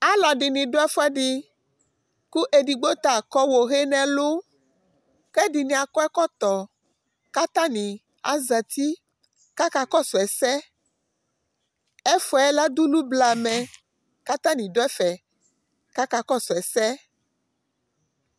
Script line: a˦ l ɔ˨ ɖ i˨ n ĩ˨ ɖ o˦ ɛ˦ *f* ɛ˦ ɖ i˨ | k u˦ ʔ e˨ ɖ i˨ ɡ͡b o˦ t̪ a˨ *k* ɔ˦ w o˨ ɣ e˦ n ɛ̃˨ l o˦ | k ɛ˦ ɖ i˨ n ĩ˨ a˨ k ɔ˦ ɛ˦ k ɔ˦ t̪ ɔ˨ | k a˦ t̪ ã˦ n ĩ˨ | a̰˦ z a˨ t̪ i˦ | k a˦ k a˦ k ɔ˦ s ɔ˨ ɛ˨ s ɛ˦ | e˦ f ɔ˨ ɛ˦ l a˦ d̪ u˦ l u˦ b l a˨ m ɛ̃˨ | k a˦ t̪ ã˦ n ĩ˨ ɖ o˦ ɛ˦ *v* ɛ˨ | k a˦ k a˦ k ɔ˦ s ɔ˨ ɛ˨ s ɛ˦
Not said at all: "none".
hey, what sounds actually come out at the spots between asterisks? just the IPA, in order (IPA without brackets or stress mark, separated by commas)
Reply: f, k, f